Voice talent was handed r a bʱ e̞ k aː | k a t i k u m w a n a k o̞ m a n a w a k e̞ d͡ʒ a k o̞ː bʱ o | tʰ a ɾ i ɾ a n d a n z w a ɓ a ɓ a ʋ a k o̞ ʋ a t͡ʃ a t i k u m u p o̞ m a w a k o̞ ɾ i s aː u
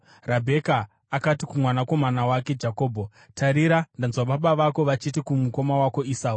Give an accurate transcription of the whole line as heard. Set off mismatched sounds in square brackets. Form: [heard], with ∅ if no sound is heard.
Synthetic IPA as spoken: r a bʱ e̞ k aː | k a t i k u m w a n a k o̞ m a n a w a k e̞ d͡ʒ a k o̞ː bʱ o | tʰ a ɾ i ɾ a n d a n z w a ɓ a ɓ a ʋ a k o̞ ʋ a t͡ʃ [i] t i k u m u [k] o̞ m a w a k o̞ [∅] i s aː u